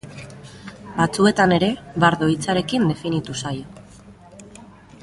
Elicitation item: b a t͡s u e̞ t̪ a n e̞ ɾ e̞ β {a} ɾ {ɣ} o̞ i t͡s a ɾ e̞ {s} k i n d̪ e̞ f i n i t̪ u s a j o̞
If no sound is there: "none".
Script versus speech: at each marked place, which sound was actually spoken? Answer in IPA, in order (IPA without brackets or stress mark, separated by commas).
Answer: a, ð, none